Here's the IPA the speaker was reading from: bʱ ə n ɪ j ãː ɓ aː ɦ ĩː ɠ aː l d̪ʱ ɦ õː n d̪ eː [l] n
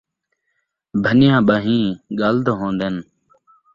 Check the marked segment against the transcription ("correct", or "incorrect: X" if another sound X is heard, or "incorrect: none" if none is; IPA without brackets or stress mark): incorrect: none